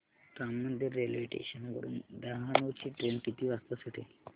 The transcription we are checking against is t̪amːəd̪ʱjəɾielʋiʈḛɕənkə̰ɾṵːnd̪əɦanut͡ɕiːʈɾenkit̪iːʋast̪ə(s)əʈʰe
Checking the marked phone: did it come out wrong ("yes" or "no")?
no